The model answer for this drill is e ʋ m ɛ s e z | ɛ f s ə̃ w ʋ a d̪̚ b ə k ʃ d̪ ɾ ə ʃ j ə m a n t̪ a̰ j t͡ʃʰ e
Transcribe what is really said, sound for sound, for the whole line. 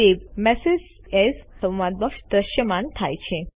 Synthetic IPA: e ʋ m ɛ s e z | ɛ s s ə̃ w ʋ a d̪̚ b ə k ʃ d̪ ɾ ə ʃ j ə m a n t̪ʰ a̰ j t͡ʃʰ e